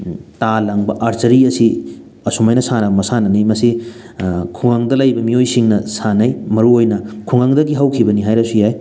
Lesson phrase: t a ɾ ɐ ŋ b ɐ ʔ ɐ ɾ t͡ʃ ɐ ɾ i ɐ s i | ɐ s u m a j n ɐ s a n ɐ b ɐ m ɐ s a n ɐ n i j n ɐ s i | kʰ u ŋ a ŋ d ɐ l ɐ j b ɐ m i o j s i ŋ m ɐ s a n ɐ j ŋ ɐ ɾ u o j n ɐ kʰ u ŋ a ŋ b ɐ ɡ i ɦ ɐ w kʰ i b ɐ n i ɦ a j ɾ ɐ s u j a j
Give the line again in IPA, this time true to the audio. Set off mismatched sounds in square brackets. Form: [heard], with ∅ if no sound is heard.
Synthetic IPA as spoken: t a [l] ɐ ŋ b ɐ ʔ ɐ ɾ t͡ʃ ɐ ɾ i ɐ s i | ɐ s u m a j n ɐ s a n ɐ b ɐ m ɐ s a n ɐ n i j [m] ɐ s i | kʰ u ŋ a ŋ d ɐ l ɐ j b ɐ m i o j s i ŋ [n] ɐ s a n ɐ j [m] ɐ ɾ u o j n ɐ kʰ u ŋ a ŋ [d] ɐ ɡ i ɦ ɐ w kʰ i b ɐ n i ɦ a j ɾ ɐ s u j a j